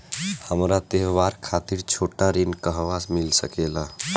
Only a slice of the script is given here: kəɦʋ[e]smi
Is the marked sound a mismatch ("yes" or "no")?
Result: yes